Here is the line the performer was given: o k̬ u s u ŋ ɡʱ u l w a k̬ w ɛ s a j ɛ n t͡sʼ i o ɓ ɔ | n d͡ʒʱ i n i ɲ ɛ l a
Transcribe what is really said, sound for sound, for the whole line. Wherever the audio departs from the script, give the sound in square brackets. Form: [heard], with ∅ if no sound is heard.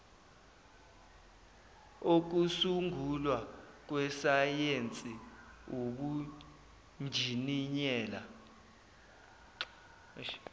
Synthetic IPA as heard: o k̬ u s u ŋ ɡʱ u l w a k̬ w ɛ s a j [e] n t͡sʼ i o ɓ [u] | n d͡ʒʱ i n i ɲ [ɛː] l a